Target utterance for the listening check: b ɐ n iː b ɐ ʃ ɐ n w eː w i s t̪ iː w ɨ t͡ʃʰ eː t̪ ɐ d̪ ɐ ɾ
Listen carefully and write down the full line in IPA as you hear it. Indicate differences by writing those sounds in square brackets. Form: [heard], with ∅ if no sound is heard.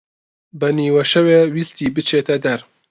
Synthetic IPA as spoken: b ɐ n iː [w] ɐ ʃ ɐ [∅] w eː w i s t̪ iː [b] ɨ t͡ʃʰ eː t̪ ɐ d̪ ɐ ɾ